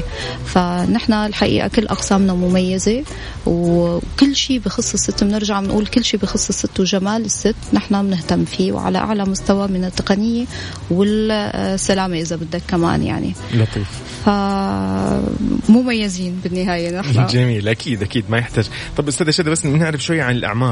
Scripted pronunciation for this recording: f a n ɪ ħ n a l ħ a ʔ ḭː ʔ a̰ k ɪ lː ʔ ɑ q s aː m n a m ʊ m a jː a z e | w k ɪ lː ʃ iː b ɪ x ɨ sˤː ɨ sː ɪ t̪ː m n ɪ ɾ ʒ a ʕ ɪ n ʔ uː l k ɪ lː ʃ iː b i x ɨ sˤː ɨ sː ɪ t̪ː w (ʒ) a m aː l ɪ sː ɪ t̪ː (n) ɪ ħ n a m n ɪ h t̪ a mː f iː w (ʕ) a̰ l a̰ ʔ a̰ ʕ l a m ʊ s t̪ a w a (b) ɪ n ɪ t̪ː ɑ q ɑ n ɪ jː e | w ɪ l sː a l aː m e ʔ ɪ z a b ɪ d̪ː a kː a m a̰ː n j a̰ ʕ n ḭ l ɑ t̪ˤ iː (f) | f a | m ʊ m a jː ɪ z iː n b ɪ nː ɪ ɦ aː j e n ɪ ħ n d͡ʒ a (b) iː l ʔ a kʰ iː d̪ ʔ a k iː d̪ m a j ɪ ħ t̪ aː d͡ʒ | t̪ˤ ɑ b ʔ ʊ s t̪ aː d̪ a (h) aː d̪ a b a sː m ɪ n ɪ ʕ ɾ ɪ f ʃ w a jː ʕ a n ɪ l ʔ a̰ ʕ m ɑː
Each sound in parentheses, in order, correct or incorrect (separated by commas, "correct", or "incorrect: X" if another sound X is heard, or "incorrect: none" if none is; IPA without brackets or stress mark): correct, correct, correct, incorrect: m, correct, incorrect: m, incorrect: ʃ